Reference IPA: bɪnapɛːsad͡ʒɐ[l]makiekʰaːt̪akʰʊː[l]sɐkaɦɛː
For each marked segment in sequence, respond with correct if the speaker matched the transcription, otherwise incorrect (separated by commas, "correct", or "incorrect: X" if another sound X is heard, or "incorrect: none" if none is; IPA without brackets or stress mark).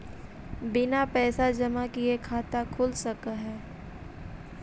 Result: incorrect: none, correct